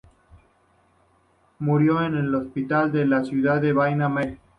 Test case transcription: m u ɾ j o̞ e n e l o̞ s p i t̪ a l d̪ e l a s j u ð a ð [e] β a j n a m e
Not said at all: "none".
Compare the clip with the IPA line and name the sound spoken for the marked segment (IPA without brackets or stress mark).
e